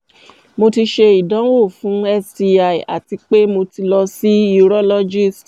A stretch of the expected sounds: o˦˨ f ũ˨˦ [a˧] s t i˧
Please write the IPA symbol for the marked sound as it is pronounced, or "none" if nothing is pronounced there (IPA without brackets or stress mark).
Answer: ɛ˧